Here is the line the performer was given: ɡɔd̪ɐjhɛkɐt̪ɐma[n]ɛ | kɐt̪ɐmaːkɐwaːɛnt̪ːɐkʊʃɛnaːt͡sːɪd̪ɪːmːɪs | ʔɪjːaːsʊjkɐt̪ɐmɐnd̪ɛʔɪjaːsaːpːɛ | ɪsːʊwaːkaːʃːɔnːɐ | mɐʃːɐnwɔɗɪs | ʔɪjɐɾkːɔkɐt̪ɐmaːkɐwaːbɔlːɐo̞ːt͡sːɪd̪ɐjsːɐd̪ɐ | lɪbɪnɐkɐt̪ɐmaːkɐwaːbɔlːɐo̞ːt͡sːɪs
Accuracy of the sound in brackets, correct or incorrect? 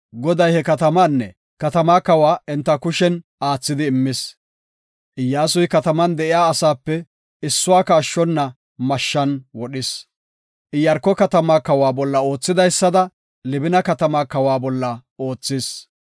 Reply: incorrect